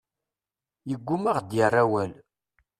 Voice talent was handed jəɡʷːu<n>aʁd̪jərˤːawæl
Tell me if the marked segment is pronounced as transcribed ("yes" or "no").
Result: no